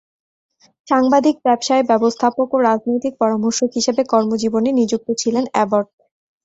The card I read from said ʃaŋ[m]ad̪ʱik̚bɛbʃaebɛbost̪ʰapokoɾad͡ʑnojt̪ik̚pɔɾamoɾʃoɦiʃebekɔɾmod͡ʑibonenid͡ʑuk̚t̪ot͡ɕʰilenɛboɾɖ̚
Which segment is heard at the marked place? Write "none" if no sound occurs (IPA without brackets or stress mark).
b